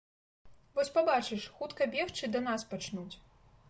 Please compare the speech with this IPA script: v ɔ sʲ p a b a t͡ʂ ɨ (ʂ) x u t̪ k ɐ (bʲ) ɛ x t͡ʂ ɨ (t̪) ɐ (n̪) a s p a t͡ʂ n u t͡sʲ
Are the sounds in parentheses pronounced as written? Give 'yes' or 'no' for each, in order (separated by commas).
yes, yes, no, yes